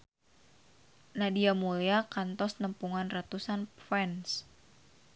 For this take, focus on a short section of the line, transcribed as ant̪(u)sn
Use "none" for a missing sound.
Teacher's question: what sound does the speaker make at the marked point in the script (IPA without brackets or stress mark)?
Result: ɔ